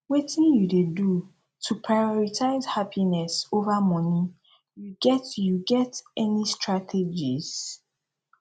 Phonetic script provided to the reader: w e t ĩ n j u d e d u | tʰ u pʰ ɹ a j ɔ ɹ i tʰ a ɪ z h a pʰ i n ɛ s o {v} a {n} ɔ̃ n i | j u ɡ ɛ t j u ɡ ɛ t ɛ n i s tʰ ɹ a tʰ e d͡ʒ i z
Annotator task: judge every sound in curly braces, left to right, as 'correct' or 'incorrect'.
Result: correct, incorrect

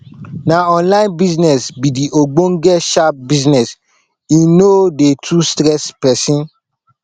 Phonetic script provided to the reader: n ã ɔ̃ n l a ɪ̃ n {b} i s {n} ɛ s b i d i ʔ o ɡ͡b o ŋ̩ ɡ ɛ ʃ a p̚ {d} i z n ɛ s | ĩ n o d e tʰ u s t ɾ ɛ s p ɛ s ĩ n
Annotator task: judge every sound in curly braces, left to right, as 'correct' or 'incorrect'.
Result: correct, correct, incorrect

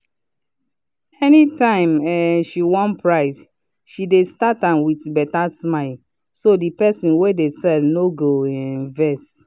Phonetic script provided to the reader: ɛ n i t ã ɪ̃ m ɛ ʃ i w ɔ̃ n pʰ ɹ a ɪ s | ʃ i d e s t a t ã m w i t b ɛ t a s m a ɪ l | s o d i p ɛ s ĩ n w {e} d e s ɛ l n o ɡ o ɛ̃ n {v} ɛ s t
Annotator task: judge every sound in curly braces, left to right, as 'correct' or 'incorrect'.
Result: correct, correct

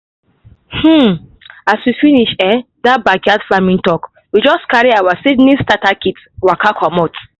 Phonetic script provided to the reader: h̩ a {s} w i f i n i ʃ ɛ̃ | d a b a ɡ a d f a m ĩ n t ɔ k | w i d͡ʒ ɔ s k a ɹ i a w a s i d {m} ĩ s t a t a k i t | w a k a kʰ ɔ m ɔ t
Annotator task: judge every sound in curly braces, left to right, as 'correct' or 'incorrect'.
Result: correct, incorrect

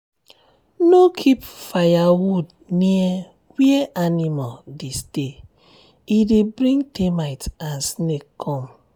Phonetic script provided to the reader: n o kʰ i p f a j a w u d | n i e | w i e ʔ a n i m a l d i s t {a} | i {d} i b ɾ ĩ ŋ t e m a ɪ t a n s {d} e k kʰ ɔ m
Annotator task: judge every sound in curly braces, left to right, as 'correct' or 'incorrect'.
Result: incorrect, correct, incorrect

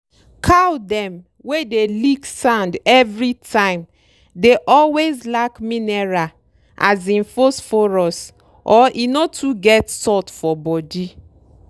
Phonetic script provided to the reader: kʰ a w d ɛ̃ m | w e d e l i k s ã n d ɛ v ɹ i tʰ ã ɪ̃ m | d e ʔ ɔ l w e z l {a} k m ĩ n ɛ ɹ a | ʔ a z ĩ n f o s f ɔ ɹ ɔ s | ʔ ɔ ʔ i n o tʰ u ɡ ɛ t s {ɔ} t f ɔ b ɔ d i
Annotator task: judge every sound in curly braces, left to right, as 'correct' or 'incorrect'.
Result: correct, correct

